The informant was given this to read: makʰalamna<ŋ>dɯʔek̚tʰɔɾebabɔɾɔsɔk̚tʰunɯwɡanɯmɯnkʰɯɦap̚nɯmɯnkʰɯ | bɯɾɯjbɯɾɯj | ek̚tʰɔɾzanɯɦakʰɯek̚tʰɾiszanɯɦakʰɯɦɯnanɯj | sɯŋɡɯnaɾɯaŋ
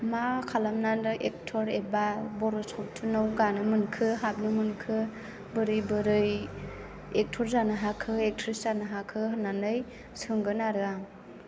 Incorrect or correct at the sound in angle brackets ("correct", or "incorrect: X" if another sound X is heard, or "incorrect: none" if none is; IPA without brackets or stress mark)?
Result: incorrect: n